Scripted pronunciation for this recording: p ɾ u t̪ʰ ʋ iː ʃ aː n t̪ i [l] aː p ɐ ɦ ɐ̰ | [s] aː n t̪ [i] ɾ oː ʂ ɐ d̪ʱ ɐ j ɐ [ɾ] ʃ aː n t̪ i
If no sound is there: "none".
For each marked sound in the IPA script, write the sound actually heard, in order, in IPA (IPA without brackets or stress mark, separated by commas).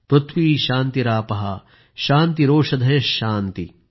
ɾ, ʃ, i, none